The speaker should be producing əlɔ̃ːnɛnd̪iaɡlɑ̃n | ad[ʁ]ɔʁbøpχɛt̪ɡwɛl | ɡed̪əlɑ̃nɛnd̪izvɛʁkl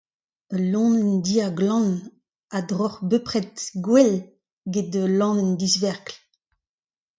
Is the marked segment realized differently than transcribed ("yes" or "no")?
no